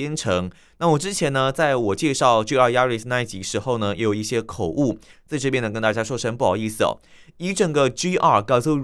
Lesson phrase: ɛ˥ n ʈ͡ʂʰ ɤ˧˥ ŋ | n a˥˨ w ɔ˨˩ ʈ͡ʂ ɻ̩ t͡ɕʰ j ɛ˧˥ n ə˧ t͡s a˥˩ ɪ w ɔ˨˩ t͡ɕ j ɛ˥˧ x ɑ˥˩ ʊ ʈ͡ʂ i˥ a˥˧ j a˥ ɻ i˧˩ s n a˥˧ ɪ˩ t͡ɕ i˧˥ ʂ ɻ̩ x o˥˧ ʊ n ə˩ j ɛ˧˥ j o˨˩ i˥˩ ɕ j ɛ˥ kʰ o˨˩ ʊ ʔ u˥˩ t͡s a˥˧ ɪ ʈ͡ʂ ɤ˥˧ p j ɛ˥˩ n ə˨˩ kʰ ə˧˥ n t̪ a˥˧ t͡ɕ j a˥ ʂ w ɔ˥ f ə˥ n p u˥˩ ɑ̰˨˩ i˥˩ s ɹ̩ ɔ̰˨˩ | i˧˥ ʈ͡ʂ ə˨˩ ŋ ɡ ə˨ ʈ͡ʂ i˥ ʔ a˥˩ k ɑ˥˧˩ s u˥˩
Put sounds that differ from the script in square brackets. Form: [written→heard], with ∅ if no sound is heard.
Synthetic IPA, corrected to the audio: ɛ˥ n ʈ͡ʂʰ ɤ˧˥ ŋ | n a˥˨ w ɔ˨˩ ʈ͡ʂ ɻ̩ t͡ɕʰ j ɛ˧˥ n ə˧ t͡s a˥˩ ɪ w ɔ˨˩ t͡ɕ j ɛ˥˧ [x→ʂ] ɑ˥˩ ʊ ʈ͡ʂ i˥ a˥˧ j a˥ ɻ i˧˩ s n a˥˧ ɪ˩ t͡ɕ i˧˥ ʂ ɻ̩ x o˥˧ ʊ n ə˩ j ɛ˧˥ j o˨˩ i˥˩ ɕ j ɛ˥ kʰ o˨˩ ʊ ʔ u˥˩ t͡s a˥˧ ɪ ʈ͡ʂ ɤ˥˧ p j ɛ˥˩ n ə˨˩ [kʰ→k] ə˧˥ n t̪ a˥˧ t͡ɕ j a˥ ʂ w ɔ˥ [f→ʂ] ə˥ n p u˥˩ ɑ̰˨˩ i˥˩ s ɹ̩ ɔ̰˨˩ | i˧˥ ʈ͡ʂ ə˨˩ ŋ ɡ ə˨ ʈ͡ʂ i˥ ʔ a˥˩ k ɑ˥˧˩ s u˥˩